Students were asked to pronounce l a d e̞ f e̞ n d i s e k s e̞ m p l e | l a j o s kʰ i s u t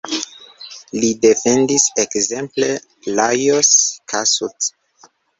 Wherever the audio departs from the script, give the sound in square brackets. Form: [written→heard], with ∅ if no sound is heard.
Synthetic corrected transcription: l [a→i] d e̞ f e̞ n d i s e k [s→z] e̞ m p l e | l a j o s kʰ [i→a] s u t